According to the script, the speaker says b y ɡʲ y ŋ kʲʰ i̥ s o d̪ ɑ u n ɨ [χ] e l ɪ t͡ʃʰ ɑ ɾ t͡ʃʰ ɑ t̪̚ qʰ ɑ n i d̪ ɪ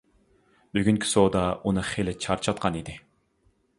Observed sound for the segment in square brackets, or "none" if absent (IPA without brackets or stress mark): χ